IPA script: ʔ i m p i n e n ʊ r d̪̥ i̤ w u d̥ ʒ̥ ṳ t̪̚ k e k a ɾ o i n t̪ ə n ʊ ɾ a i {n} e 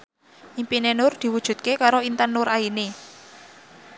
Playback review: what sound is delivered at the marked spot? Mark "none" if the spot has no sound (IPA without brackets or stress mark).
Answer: n